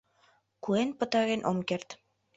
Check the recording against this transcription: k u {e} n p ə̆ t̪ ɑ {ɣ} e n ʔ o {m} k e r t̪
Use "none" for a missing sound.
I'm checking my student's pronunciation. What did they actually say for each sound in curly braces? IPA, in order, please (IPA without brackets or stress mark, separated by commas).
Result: e, ɣ, m